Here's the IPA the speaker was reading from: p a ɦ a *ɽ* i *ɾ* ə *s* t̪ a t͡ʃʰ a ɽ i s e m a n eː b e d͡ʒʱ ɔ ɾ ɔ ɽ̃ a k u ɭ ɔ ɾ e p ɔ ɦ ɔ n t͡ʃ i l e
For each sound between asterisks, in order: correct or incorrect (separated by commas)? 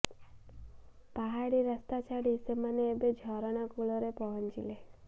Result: correct, correct, correct